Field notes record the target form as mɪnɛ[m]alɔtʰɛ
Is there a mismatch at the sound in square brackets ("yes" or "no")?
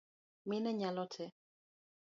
yes